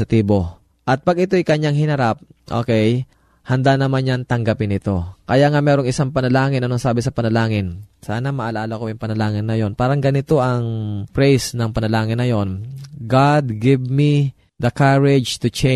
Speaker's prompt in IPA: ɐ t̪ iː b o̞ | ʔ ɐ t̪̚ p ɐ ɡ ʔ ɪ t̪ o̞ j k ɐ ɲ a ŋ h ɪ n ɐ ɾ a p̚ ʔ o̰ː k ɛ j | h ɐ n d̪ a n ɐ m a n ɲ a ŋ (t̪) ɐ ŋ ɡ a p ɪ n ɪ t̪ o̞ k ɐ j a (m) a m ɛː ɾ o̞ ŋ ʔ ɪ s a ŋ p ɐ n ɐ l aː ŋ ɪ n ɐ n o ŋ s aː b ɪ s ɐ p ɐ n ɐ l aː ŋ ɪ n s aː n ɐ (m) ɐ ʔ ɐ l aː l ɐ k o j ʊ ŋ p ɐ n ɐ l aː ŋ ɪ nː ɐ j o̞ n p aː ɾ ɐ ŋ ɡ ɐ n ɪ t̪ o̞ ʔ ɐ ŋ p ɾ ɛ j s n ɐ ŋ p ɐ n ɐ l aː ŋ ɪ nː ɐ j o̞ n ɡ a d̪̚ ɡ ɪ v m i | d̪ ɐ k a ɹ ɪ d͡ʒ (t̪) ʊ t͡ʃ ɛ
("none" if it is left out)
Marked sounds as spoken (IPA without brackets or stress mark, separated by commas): t̪, ŋ, m, t̪